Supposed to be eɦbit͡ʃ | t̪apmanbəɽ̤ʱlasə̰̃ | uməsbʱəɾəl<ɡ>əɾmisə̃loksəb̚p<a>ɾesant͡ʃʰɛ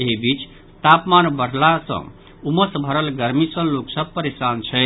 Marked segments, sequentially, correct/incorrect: correct, incorrect

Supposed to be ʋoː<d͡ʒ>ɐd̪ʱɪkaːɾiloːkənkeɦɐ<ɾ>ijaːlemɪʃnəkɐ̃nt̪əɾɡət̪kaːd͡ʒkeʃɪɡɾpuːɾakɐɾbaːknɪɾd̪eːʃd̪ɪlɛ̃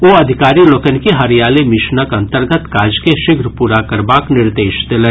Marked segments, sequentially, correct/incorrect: incorrect, correct

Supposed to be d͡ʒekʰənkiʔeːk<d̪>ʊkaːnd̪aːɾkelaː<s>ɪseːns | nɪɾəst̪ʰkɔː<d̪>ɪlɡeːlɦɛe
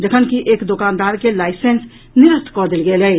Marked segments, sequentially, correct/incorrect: correct, incorrect, correct

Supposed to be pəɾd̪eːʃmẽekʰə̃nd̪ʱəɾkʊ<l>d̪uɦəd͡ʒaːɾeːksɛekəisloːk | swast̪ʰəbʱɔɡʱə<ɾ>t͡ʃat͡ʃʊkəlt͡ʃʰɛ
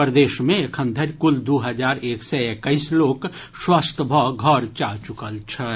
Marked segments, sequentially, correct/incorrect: correct, correct

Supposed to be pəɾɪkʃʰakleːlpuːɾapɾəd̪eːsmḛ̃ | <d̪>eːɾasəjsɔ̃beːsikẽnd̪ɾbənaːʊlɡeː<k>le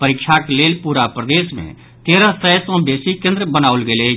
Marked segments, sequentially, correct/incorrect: incorrect, incorrect

